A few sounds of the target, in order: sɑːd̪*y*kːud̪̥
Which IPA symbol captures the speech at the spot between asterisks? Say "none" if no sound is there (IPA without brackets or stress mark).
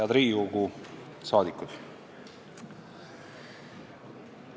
i